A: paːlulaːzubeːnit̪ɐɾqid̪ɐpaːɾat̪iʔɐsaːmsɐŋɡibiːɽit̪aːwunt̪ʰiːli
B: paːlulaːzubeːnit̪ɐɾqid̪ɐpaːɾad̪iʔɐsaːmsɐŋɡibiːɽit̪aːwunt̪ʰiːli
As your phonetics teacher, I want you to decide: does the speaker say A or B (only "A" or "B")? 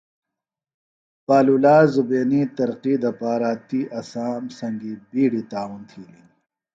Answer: A